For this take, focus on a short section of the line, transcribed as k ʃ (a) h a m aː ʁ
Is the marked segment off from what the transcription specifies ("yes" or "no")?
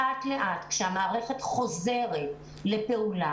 yes